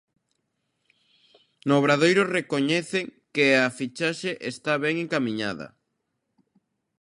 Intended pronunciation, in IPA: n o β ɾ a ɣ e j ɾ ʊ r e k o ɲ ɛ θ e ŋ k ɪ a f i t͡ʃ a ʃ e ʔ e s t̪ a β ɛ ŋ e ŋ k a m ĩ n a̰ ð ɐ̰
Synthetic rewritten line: n o β ɾ a ð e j ɾ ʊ r e k o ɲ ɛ θ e ŋ k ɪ a f i t͡ʃ a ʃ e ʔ e s t̪ a β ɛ ŋ e ŋ k a m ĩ ɲ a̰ ð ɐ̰